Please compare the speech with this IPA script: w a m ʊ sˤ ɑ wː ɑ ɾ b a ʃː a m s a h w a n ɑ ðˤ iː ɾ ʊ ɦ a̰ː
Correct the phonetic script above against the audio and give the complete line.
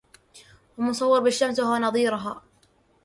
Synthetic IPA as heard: w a m ʊ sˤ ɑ wː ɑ ɾ b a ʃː a m s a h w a n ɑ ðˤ iː ɾ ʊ ɦ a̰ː